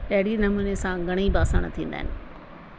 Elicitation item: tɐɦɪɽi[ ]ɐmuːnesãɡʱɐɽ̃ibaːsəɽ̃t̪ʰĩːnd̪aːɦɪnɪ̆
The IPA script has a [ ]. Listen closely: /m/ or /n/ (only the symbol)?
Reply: n